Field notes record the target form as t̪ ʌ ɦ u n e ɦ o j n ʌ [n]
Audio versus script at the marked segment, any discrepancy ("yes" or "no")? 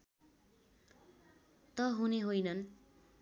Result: no